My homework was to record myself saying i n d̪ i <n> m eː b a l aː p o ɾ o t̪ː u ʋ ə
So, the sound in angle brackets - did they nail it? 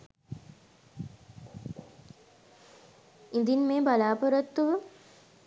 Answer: yes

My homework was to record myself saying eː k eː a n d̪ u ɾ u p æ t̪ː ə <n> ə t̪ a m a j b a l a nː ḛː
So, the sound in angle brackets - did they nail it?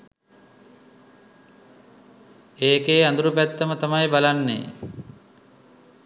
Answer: no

